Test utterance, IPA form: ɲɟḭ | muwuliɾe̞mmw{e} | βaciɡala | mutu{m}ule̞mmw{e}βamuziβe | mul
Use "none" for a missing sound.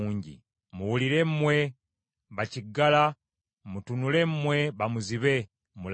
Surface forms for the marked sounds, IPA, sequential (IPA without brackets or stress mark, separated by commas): e, n, e